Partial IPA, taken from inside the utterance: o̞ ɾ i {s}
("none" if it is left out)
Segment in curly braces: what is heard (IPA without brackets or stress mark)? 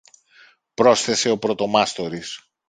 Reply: s